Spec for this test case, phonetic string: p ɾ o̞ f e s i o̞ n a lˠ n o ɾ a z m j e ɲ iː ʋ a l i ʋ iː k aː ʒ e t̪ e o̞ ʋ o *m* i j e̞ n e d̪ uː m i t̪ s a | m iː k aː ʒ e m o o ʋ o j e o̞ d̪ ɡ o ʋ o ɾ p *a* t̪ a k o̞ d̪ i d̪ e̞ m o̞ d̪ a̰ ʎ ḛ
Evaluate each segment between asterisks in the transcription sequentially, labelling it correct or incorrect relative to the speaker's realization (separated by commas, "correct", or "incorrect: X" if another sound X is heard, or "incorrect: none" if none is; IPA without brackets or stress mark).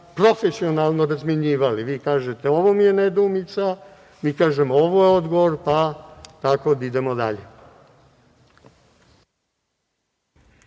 correct, correct